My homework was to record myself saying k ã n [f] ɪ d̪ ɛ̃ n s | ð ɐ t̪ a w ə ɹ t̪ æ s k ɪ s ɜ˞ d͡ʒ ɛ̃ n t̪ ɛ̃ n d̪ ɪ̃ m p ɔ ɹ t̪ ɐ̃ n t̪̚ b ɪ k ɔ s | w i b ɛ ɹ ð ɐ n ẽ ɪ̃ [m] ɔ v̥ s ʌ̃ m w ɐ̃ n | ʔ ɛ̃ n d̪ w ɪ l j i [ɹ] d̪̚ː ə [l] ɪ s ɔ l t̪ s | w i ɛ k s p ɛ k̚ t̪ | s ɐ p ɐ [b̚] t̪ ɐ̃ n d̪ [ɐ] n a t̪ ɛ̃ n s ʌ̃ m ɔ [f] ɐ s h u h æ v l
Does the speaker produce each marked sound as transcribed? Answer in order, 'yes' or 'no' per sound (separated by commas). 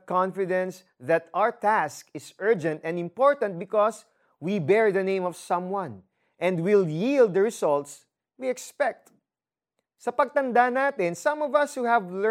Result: yes, yes, no, no, no, no, no